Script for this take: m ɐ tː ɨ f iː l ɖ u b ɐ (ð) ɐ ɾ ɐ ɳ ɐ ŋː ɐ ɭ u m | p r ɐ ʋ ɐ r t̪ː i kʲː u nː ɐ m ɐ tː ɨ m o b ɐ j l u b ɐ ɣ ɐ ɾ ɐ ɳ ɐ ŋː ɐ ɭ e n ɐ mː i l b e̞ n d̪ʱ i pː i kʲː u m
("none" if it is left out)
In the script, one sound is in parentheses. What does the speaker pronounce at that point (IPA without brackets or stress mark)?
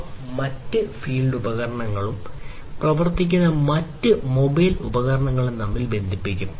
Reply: ɣ